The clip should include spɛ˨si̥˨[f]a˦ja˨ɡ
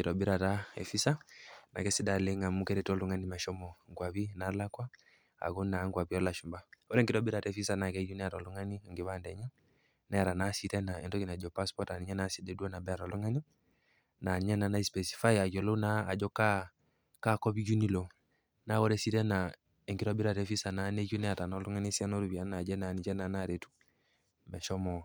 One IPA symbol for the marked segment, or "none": f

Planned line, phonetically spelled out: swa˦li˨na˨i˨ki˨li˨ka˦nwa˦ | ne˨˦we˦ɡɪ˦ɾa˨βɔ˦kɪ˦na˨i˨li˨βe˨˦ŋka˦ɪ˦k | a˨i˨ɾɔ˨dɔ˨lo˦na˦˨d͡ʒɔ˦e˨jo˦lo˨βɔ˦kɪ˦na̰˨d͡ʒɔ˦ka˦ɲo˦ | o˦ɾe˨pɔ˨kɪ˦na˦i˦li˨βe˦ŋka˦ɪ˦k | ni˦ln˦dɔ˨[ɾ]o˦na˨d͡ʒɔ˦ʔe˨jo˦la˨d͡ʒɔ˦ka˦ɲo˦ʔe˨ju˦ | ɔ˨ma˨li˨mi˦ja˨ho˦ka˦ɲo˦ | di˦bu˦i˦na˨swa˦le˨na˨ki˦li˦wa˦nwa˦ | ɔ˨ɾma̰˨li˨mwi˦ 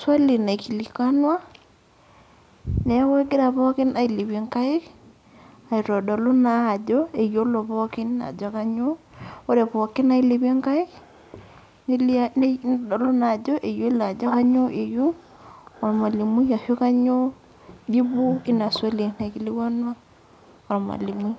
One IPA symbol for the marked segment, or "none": l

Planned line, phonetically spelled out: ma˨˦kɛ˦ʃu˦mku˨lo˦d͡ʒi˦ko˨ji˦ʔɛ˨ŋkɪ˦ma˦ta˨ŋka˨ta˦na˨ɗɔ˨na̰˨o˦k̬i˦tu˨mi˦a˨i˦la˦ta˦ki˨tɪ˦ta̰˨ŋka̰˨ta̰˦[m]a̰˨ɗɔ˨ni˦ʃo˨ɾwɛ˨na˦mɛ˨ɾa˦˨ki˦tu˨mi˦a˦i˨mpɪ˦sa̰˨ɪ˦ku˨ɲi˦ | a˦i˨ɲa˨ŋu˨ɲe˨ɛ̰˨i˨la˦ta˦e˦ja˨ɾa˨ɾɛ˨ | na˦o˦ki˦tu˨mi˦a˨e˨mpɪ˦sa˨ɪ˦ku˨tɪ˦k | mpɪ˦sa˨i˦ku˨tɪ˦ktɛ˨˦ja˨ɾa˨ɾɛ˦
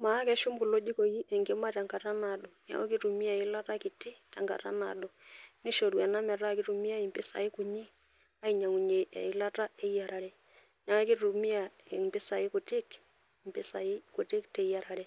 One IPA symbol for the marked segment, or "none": n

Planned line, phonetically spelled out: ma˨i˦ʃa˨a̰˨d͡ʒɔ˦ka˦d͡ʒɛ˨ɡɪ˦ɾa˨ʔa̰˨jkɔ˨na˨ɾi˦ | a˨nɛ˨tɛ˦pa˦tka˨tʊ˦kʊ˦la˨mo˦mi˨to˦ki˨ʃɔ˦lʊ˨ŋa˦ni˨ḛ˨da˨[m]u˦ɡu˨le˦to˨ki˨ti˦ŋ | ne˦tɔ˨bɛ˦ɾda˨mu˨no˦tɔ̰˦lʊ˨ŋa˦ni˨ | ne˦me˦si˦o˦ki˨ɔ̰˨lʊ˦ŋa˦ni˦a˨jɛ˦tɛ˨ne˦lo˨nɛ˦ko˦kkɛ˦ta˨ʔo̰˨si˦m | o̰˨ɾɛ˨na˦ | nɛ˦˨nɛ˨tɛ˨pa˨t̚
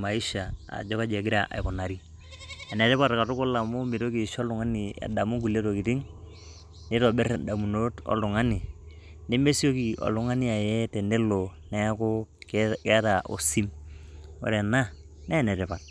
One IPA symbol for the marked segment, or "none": m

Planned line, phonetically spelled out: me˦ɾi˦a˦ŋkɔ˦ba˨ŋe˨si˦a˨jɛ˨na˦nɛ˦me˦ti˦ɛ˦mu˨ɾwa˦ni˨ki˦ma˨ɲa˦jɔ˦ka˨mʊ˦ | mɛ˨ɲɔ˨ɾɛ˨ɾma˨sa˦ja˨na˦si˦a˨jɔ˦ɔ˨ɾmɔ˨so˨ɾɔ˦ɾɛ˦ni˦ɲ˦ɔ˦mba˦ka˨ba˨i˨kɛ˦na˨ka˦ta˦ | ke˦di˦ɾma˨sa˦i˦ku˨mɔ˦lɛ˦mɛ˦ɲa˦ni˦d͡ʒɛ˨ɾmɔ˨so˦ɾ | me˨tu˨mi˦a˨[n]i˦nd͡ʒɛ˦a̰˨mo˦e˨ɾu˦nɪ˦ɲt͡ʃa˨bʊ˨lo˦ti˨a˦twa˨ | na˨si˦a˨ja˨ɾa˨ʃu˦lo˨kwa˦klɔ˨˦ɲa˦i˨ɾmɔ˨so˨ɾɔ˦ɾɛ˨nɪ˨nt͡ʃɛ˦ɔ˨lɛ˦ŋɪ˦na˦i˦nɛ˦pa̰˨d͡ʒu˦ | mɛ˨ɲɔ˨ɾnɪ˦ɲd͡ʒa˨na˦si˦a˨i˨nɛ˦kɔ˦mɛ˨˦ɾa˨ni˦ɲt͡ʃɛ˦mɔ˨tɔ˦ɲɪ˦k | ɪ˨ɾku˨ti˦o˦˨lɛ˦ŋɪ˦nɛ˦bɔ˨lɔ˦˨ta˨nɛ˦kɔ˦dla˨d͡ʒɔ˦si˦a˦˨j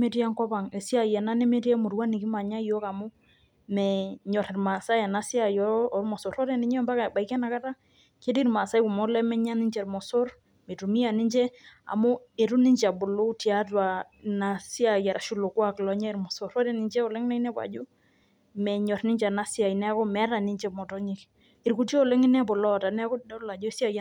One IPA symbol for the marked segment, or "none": n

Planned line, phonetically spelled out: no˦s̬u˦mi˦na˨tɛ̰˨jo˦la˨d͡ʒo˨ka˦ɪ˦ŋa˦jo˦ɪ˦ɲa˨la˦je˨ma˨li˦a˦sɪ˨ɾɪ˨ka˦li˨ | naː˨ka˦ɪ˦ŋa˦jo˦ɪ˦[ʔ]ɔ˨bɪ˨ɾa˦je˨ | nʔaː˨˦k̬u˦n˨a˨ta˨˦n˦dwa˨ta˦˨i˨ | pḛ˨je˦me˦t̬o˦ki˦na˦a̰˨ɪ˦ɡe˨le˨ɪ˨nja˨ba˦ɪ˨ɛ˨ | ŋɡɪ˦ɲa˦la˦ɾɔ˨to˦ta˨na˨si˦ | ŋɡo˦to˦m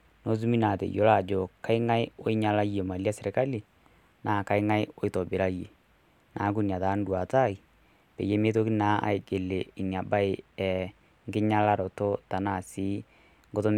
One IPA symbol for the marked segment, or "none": t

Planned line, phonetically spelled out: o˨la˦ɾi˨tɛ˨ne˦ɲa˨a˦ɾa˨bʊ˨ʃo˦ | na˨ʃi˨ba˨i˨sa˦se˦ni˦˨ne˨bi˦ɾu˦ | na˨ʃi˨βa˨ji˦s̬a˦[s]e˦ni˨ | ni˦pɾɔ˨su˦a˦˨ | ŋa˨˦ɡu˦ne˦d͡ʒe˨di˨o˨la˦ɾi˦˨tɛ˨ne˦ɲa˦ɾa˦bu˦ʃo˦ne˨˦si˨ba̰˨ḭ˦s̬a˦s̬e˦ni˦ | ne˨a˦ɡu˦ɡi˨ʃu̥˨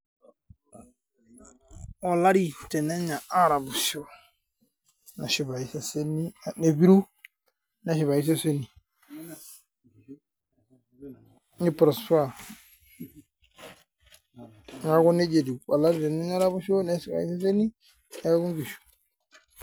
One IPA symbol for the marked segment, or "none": s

